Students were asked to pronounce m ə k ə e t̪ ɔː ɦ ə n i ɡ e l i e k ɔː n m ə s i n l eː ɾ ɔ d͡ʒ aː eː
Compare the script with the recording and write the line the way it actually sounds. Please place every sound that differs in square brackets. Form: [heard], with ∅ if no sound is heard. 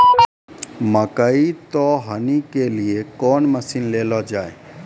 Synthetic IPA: m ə k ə [i] t̪ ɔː ɦ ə n i [k] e l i e k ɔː n m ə s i n l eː [l] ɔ d͡ʒ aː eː